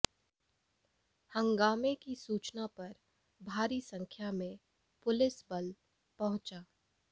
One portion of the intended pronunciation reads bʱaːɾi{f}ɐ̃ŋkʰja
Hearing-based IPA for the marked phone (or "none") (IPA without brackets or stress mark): s